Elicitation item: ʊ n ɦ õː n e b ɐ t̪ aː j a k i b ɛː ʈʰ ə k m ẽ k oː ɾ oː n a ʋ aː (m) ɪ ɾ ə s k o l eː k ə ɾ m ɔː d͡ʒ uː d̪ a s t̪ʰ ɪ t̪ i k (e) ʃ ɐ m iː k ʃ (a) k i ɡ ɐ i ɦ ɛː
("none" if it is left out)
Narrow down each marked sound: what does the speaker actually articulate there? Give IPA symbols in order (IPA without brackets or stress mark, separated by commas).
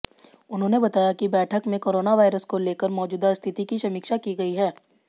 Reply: none, i, a